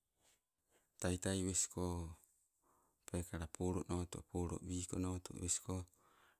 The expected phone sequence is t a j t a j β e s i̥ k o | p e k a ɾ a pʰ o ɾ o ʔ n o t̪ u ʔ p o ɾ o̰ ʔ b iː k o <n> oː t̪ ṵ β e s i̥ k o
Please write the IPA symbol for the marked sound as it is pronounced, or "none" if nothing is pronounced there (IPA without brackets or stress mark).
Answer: n